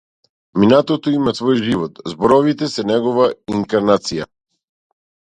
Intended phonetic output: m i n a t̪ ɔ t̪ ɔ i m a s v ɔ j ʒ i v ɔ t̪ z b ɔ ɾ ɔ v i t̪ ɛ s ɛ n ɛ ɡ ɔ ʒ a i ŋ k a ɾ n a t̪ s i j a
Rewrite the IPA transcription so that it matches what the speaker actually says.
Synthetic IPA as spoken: m i n a t̪ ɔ t̪ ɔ i m a s v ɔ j ʒ i v ɔ t̪ z b ɔ ɾ ɔ v i t̪ ɛ s ɛ n ɛ ɡ ɔ v a i ŋ k a ɾ n a t̪ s i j a